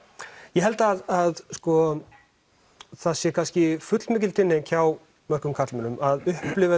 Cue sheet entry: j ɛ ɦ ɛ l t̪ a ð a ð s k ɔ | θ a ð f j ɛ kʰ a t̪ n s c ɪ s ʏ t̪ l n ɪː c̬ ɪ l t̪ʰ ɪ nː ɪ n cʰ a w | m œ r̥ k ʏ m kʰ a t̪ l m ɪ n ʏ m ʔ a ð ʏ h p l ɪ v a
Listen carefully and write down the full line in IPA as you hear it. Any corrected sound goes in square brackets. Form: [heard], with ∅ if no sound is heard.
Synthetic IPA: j ɛ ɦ ɛ l t̪ a ð a ð s k ɔ | θ a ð [s] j ɛ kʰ a [∅] n s c ɪ [f] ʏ t̪ l [m] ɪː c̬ ɪ l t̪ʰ ɪ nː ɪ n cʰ a w | m œ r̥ k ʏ m kʰ a t̪ l m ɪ n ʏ m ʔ a ð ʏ h p l ɪ v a